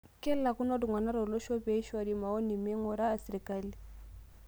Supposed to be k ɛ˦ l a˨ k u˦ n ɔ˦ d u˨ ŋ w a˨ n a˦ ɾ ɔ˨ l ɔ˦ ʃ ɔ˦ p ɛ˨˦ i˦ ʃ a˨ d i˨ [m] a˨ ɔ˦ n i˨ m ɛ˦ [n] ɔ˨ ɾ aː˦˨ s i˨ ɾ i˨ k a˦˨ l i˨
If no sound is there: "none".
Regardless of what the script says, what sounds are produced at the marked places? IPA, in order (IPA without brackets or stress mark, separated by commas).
m, ŋ